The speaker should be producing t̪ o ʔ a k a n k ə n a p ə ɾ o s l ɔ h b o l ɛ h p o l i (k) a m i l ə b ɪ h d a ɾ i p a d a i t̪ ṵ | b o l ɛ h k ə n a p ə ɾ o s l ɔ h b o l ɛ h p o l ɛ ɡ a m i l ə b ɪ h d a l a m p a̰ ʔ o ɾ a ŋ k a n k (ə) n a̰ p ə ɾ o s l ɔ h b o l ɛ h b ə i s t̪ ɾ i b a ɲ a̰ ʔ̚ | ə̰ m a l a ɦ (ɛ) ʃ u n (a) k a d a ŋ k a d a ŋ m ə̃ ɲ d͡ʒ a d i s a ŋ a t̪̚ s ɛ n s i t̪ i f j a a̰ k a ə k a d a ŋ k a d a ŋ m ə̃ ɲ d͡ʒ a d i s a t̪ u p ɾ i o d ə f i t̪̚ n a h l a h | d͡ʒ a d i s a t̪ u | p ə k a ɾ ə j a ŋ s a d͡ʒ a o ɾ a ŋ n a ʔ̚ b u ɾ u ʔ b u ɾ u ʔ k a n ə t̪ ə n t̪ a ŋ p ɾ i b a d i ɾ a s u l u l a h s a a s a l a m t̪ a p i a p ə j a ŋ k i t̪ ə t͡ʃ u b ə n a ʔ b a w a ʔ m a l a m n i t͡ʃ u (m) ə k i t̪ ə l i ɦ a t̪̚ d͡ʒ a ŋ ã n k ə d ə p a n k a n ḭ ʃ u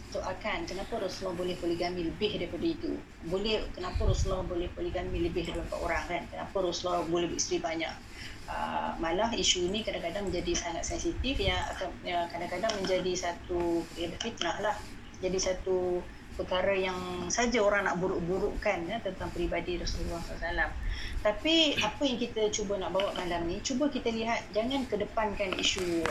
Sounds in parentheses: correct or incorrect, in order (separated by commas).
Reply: incorrect, correct, incorrect, incorrect, incorrect